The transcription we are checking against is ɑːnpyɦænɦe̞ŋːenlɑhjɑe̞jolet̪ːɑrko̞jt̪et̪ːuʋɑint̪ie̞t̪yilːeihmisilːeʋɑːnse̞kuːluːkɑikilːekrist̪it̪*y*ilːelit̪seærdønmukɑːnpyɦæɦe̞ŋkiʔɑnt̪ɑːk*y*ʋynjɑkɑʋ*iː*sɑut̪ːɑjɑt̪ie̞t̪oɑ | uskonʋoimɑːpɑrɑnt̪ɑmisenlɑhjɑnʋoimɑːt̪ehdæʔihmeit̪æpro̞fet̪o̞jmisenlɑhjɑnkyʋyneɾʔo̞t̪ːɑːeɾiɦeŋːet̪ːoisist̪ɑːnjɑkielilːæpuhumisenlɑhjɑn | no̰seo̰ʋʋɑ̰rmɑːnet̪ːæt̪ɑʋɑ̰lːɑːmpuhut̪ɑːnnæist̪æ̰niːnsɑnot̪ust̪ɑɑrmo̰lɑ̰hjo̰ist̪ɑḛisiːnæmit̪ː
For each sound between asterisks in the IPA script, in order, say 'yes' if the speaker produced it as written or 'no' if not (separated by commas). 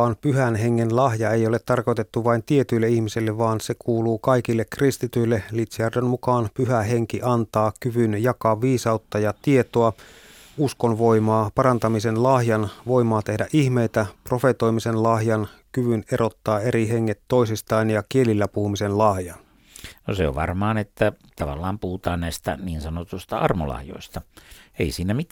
yes, yes, yes